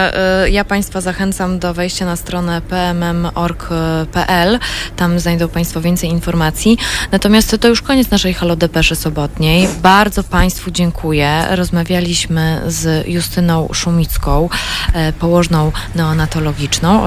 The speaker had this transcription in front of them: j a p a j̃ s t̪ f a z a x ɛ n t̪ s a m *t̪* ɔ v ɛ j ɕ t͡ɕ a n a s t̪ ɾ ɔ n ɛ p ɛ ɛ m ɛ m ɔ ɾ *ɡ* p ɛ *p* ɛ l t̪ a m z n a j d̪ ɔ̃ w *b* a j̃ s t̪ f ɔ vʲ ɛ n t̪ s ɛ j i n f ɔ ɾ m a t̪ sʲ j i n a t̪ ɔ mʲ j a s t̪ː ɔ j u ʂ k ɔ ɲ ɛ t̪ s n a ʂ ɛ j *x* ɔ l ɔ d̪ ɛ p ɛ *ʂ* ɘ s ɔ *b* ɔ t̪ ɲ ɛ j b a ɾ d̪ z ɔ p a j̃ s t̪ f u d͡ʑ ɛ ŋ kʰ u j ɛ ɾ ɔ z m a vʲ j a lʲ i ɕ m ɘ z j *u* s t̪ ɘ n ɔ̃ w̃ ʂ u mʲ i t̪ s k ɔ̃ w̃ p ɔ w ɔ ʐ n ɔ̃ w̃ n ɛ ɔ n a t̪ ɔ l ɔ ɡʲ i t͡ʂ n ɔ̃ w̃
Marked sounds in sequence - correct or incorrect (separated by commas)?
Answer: incorrect, incorrect, incorrect, incorrect, correct, correct, correct, correct